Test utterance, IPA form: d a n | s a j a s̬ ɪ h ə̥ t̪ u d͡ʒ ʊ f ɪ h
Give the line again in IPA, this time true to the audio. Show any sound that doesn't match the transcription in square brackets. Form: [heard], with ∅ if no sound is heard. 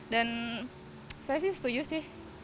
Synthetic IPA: d a n | s a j a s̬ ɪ [s] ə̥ t̪ u d͡ʒ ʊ [s] ɪ h